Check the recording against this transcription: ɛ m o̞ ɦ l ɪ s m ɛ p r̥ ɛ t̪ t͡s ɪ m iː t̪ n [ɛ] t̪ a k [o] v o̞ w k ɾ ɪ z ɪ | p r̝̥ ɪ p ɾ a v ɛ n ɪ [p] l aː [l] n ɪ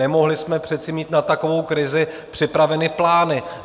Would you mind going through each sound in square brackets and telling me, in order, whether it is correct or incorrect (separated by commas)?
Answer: incorrect, correct, correct, incorrect